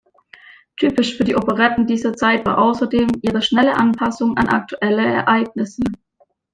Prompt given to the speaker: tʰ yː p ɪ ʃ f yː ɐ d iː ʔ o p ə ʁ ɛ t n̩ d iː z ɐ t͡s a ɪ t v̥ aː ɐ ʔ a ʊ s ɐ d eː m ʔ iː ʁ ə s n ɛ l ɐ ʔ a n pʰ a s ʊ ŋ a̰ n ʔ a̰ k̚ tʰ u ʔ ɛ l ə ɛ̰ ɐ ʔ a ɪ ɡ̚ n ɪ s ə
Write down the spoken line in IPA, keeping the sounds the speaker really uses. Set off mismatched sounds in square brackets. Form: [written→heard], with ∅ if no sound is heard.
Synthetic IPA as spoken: tʰ yː p ɪ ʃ f yː ɐ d iː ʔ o p ə ʁ ɛ t n̩ d iː z ɐ t͡s a ɪ t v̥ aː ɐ ʔ a ʊ s ɐ d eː m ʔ iː ʁ ə [s→ʃ] n ɛ l [ɐ→ə] ʔ a n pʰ a s ʊ ŋ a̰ n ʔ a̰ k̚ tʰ u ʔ ɛ l ə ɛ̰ ɐ ʔ a ɪ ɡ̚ n ɪ s ə